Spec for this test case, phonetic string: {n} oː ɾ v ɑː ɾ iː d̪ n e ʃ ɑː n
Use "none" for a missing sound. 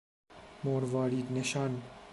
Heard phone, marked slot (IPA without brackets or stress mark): m